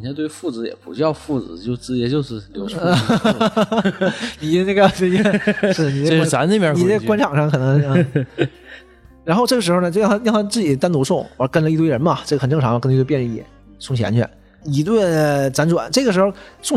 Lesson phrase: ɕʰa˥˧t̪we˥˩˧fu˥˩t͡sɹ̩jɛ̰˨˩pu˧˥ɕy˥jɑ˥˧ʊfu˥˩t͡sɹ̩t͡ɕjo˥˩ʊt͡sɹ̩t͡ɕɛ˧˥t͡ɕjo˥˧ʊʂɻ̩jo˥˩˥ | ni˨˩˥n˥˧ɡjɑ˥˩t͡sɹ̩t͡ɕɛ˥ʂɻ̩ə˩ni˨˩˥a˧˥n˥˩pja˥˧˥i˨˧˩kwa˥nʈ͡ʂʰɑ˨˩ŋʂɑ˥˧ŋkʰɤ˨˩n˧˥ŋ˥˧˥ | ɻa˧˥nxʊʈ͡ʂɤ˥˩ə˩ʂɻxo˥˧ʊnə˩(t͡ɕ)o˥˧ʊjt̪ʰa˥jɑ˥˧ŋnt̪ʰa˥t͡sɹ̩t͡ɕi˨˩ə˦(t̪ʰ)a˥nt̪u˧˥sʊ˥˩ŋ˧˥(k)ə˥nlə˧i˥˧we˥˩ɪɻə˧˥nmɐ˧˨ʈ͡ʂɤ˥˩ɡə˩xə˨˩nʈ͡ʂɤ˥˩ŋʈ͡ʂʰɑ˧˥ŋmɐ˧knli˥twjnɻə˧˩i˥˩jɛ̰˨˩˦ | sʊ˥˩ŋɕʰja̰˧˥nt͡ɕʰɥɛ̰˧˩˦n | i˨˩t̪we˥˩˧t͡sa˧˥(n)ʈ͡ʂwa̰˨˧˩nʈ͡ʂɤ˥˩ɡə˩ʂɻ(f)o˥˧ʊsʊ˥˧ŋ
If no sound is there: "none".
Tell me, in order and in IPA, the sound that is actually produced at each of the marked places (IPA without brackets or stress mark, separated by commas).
t͡ɕ, t̪, k, n, x